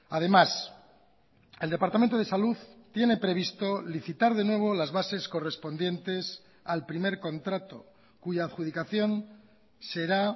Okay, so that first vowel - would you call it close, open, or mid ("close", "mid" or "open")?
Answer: open